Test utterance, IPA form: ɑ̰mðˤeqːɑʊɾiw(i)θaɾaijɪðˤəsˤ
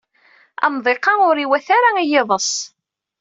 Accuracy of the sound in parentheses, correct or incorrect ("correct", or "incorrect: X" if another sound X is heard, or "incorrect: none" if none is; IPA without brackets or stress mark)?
incorrect: æ